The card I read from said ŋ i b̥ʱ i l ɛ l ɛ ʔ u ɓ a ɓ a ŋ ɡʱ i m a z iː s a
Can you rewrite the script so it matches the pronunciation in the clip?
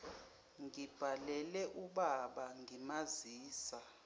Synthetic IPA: ŋ i b̥ʱ a l ɛ l ɛ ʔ u ɓ a ɓ a ŋ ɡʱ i m a z iː s a

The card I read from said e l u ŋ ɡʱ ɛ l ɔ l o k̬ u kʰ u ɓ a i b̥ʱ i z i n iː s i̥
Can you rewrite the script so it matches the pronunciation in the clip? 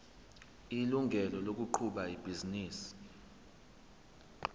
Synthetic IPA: i l u ŋ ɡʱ ɛ l ɔ l o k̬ u ǃʰ u ɓ a i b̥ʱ i z i n iː s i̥

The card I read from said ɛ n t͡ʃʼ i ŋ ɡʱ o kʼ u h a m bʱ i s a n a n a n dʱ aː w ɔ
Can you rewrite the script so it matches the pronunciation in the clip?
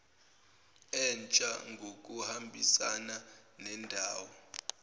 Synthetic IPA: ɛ n t͡ʃʼ a ŋ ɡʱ o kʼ u h a m bʱ i s a n a n ɛ n dʱ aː w ɔ

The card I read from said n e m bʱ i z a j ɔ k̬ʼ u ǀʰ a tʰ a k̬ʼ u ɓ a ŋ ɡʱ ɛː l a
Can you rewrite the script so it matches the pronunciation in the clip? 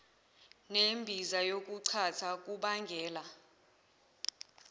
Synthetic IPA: n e m bʱ i z a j o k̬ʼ u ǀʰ a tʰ a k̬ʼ u ɓ a ŋ ɡʱ ɛː l a

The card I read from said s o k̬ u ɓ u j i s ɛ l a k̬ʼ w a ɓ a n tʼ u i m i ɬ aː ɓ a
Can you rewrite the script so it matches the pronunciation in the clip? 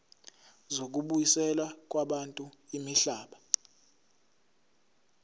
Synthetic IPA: z o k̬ u ɓ u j i s ɛ l a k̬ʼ w a ɓ a n tʼ u i m i ɬ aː ɓ a

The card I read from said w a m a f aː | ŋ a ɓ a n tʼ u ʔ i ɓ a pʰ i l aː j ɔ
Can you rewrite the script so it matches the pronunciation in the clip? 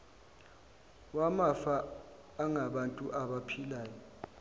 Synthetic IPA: w a m a f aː | ŋ a ɓ a n tʼ u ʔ a ɓ a pʰ i l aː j ɔ

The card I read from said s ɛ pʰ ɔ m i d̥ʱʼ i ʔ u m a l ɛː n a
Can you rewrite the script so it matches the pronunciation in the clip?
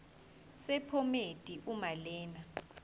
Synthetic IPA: s ɛ pʰ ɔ m e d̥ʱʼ i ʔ u m a l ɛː n a

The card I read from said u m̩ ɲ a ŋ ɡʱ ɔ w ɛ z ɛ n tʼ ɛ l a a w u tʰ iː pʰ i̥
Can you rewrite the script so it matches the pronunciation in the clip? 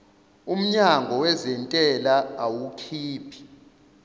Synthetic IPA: u m̩ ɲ a ŋ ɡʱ ɔ w ɛ z ɛ n tʼ ɛ l a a w u kʰ iː pʰ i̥

